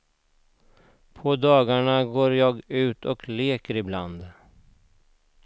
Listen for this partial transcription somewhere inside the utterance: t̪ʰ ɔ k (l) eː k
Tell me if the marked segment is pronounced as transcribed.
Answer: yes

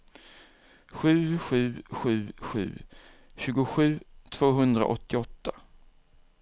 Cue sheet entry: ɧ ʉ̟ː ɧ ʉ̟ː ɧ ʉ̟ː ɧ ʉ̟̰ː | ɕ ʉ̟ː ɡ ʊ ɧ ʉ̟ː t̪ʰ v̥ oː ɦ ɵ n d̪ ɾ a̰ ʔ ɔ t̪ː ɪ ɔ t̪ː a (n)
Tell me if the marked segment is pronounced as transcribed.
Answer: no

